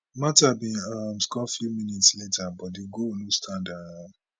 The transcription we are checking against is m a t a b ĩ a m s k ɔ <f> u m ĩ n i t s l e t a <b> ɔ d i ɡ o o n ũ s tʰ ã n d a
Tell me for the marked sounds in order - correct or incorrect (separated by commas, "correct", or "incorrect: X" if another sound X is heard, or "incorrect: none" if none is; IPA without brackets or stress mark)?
correct, correct